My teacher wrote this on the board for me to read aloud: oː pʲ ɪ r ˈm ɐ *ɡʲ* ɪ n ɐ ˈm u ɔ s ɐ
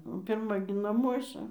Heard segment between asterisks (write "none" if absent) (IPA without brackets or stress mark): ɡʲ